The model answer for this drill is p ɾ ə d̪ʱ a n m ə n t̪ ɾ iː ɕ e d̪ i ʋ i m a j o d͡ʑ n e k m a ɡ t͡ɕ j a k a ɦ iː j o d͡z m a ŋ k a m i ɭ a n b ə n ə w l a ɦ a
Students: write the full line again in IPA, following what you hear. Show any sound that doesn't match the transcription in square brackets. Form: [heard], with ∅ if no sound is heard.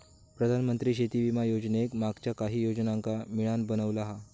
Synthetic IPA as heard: p ɾ ə d̪ʱ a n m ə n t̪ ɾ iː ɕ e [t̪] i ʋ i m a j o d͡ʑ n e k m a ɡ t͡ɕ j a k a ɦ iː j o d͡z [n] a ŋ k a m i ɭ a n b ə n ə [ʋ] l a ɦ a